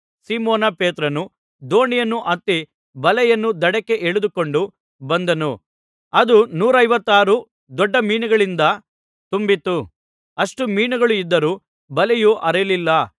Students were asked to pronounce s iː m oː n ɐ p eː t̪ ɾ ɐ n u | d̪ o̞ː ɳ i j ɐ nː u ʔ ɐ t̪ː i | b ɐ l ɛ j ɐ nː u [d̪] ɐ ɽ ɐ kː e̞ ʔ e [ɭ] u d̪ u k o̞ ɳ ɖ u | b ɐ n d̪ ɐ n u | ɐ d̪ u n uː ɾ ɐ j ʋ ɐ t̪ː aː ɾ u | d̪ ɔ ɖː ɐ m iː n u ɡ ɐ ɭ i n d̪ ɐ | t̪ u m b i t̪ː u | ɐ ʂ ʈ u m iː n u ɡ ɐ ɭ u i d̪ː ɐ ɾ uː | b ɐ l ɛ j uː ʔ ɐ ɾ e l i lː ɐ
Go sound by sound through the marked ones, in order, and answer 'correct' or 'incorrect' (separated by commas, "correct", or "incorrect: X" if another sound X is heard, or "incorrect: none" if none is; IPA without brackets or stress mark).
correct, correct